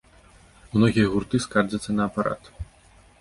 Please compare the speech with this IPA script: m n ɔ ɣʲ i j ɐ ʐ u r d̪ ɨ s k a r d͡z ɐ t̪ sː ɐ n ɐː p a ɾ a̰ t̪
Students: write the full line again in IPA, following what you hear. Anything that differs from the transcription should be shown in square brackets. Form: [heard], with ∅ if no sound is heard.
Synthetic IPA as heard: m n ɔ ɣʲ i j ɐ [ɣ] u r [t̪] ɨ s k a r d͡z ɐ t̪ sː ɐ n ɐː p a ɾ a̰ t̪